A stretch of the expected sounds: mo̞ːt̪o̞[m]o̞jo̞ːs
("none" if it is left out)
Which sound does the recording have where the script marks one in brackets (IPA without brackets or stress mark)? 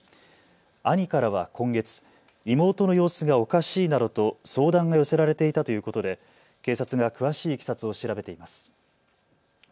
n